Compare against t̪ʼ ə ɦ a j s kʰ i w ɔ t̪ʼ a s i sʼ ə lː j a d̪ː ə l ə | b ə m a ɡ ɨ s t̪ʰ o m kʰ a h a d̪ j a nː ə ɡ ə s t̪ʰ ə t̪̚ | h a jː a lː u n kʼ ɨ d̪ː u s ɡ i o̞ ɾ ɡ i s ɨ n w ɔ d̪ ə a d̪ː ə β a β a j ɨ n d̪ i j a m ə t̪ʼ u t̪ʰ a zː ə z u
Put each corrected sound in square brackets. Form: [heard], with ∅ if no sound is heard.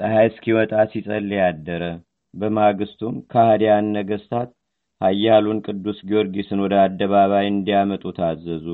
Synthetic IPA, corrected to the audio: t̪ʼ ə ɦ a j s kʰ i w ɔ t̪ʼ a s i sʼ ə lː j a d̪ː ə [ɾ] ə | b ə m a ɡ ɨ s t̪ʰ [u] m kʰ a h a d̪ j a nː ə ɡ ə s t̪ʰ [a] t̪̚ | h a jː a [l] u n kʼ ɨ d̪ː u s ɡ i o̞ ɾ ɡ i s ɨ n w ɔ d̪ ə a d̪ː ə β a β a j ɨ n d̪ i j a m ə t̪ʼ u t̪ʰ a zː ə z u